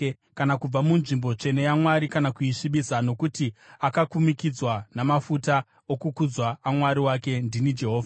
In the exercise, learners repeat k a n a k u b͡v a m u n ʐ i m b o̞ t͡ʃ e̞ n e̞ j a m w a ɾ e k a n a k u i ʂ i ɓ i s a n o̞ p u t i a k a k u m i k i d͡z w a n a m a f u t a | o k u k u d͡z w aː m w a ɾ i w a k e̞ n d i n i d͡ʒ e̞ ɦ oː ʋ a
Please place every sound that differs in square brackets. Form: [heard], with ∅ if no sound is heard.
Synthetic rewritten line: k a n a k u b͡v a m u n ʐ i m b o̞ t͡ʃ e̞ n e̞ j a m w a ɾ [i] k a n a k u i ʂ i ɓ i s a n o̞ [k] u t i a k a k u m i k i d͡z w a n a m a f u t a | o k u k u d͡z w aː m w a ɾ i w a k e̞ n d i n i d͡ʒ e̞ ɦ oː [v] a